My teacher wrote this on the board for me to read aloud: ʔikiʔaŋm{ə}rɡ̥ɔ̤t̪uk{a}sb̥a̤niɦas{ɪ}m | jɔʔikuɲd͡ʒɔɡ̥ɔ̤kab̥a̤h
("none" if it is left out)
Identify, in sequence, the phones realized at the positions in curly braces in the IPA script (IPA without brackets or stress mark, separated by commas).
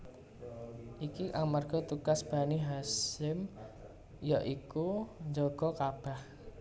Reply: a, a, ɪ